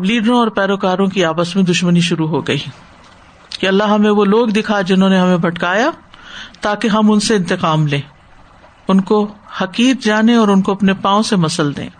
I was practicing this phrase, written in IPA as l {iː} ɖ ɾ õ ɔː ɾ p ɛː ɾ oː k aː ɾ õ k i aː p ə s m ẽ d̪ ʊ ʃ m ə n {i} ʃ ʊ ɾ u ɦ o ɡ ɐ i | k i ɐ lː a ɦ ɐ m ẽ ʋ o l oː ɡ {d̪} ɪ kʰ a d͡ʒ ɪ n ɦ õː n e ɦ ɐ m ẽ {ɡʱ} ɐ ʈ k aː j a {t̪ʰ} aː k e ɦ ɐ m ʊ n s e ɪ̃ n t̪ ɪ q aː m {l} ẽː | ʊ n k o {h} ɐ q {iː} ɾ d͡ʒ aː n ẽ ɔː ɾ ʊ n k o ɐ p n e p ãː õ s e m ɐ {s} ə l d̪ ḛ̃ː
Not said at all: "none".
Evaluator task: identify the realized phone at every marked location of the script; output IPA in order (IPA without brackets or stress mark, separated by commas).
iː, i, d̪, bʱ, t̪, l, h, iː, s